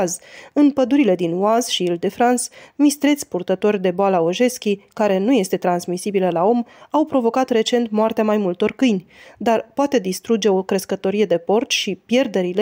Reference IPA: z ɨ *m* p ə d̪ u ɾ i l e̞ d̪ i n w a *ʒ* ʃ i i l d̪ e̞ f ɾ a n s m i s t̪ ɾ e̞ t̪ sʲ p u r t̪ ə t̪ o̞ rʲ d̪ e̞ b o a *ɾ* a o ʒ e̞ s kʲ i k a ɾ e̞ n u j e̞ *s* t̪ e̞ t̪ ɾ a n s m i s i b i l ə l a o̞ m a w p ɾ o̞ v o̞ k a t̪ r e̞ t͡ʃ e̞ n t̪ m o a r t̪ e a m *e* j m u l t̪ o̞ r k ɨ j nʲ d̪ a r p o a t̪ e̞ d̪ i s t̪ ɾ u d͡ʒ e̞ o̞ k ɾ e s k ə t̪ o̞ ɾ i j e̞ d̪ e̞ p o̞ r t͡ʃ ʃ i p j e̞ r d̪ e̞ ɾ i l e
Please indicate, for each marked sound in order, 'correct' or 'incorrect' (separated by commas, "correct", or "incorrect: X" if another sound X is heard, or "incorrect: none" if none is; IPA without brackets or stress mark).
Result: incorrect: n, incorrect: z, incorrect: l, correct, incorrect: a